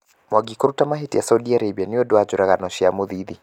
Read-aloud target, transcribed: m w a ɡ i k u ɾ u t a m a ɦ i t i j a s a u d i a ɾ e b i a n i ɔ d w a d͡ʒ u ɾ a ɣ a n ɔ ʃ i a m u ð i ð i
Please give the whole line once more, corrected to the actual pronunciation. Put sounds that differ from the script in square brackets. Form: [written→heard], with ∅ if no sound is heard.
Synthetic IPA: m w a ɡ i k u ɾ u t a m a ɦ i t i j a s a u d i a ɾ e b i a n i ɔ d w a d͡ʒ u ɾ a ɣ a n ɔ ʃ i a m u ð i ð i